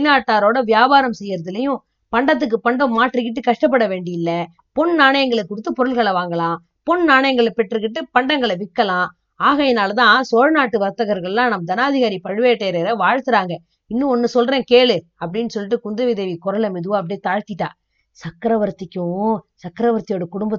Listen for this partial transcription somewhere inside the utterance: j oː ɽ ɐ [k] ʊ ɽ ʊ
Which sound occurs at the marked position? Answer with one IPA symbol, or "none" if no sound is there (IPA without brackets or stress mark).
k